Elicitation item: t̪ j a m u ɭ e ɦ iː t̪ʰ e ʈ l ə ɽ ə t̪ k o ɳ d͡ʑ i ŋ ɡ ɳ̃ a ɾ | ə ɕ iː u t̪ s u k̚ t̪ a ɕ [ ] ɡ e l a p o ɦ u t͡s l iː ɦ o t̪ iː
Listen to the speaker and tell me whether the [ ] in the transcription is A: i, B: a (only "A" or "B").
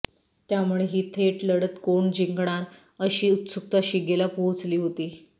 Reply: A